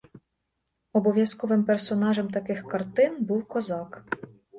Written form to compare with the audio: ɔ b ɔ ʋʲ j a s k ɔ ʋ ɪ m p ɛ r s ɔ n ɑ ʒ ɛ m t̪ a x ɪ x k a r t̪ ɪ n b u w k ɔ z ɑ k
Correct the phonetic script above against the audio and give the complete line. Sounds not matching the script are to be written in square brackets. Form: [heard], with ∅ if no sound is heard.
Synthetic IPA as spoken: ɔ b ɔ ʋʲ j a s k ɔ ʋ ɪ m p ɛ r s ɔ n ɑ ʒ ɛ m t̪ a [k] ɪ x k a r t̪ ɪ n b u w k ɔ z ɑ k